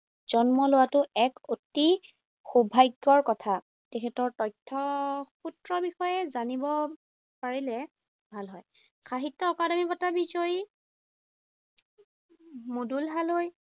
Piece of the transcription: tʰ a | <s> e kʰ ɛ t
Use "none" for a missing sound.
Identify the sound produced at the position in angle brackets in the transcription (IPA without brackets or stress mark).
t